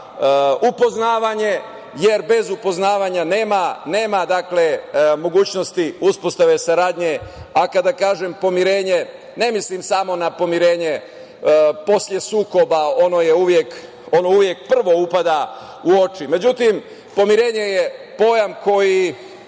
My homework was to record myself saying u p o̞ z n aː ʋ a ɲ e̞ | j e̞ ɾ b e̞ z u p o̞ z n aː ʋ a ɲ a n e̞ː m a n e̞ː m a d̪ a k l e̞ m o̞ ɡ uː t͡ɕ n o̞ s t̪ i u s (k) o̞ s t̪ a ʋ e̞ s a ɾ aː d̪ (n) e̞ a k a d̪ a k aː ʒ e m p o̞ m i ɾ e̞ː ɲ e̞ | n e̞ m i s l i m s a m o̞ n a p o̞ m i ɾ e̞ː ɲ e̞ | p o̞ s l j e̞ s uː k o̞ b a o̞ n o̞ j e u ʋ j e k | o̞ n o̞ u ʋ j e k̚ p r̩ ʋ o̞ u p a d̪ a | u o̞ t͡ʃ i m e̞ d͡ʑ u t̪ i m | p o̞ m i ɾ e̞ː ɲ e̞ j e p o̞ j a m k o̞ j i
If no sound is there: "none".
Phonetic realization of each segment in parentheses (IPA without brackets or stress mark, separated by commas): p, ɲ